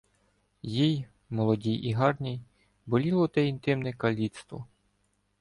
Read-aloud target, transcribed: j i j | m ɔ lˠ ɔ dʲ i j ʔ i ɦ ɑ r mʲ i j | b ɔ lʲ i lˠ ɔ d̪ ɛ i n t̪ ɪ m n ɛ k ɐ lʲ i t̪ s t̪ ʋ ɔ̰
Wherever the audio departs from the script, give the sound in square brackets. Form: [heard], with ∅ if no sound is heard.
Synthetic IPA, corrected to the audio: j i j | m ɔ lˠ ɔ dʲ i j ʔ i ɦ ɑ r [nʲ] i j | b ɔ lʲ i lˠ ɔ [t̪] ɛ i n t̪ ɪ m n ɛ k ɐ lʲ i t̪ s t̪ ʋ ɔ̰